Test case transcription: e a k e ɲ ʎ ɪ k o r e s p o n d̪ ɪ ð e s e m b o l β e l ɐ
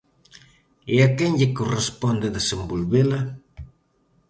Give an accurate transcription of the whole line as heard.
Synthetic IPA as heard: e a k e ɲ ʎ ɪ k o r e s p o n d̪ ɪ ð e s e m b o l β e l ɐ